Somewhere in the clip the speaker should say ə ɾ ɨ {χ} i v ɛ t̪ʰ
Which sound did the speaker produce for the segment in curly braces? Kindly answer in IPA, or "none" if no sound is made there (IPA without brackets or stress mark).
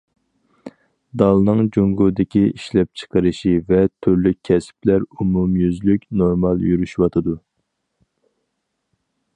ʃ